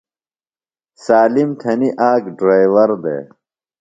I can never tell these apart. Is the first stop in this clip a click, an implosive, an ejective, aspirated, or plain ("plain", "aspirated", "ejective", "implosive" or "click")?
aspirated